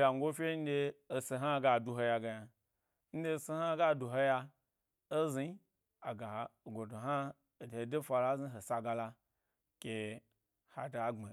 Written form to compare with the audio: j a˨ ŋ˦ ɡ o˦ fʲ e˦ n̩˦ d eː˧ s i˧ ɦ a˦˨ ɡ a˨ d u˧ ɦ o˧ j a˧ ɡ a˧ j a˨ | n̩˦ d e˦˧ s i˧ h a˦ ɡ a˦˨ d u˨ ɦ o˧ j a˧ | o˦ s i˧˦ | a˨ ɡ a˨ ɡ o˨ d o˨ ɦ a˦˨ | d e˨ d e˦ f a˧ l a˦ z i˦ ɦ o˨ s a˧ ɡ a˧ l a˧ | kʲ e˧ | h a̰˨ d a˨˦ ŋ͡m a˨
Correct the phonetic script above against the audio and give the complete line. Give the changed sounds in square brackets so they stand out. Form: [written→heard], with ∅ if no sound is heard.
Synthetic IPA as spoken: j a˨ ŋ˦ ɡ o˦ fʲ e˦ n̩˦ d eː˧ s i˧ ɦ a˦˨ ɡ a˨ d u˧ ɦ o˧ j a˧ ɡ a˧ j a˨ | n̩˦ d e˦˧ s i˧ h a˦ ɡ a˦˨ d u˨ ɦ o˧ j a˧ | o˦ [s→z] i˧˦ | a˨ ɡ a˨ ɡ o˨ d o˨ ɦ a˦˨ | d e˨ d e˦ f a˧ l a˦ z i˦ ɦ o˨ s a˧ ɡ a˧ l a˧ | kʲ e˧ | h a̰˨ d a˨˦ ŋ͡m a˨

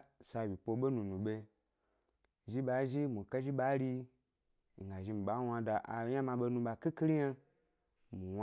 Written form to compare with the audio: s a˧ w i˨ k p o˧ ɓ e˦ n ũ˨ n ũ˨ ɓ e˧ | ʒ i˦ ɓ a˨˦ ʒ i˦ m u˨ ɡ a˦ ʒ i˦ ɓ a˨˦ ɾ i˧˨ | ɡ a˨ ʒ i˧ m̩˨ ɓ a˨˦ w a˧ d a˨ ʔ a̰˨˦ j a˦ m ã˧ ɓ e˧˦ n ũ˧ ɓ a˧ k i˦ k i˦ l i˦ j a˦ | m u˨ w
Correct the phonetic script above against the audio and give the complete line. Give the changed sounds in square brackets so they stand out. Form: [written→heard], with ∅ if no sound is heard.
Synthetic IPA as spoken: s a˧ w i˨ [k→∅] p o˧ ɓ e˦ n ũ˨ n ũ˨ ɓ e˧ | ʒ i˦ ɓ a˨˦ ʒ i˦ m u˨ [ɡ→k] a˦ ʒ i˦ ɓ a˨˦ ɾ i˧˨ | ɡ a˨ ʒ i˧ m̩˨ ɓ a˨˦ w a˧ d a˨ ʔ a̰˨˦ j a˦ m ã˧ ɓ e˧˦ n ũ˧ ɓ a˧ k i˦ k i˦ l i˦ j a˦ | m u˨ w

